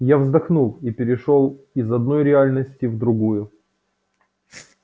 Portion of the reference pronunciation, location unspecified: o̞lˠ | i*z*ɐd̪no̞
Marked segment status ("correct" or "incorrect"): correct